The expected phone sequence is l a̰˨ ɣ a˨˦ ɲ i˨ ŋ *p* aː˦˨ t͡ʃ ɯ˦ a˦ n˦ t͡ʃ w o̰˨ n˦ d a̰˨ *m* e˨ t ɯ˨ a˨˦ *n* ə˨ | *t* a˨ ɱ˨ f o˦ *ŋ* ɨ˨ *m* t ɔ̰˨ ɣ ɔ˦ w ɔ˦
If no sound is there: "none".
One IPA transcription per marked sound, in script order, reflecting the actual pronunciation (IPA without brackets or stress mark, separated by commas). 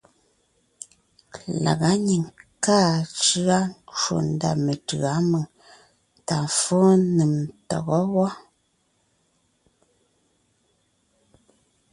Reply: k, m, m, t, n, m